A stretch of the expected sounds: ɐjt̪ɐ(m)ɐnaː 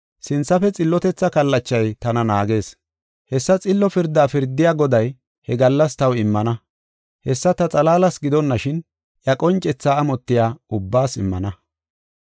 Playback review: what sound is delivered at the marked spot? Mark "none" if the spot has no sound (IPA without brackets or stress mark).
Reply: n